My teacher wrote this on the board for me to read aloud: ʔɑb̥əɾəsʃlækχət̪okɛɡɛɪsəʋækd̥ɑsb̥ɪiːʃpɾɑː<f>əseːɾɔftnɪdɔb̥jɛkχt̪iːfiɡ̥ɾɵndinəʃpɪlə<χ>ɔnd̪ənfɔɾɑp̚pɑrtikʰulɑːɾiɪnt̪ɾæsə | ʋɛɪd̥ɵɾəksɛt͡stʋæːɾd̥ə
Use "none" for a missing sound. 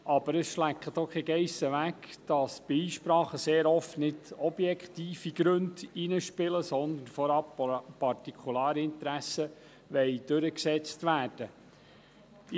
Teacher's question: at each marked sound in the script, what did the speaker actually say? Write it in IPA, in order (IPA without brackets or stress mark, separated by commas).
χ, s